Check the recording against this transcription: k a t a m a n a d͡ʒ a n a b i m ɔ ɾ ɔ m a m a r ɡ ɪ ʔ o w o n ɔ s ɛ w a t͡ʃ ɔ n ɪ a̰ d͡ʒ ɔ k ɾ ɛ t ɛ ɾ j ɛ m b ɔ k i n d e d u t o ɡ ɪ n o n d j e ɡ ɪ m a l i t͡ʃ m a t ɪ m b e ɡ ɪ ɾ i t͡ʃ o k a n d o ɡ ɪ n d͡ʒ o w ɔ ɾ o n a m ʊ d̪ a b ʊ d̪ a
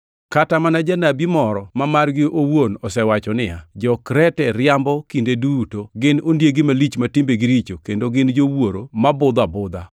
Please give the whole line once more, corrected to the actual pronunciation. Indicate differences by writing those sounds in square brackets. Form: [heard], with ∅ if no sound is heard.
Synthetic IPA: k a t a m a n a d͡ʒ a n a b i m ɔ ɾ ɔ m a m a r ɡ ɪ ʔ o w o n ɔ s ɛ w a t͡ʃ ɔ n ɪ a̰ d͡ʒ ɔ k ɾ ɛ t ɛ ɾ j [a] m b ɔ k i n d e d u t o ɡ ɪ n o n d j e ɡ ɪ m a l i t͡ʃ m a t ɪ m b e ɡ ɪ ɾ i t͡ʃ o k [e] n d o ɡ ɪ n d͡ʒ o w [o] ɾ o [m] a [b] ʊ d̪ a b ʊ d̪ a